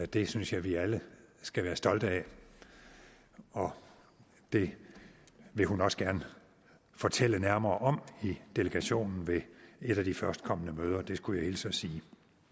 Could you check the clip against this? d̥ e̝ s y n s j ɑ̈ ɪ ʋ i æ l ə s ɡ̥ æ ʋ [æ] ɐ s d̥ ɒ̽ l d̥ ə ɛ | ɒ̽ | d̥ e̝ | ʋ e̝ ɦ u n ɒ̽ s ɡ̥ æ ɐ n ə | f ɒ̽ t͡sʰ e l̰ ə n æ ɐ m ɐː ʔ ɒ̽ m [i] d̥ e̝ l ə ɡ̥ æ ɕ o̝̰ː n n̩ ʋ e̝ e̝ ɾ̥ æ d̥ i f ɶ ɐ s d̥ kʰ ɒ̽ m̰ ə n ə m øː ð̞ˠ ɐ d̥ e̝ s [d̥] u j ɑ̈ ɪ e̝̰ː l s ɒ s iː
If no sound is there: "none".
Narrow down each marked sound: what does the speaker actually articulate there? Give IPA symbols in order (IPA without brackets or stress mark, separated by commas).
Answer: æː, i, ɡ̥